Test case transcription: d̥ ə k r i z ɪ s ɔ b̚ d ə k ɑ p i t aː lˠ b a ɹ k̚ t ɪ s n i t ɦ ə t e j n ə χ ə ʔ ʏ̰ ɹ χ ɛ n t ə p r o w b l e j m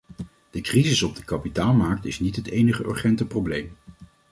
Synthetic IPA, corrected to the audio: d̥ ə k r i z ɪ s ɔ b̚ d ə k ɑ p i t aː lˠ m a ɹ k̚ t ɪ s n i t ɦ ə t e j n ə χ ə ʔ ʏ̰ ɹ χ ɛ n t ə p r o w b l e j m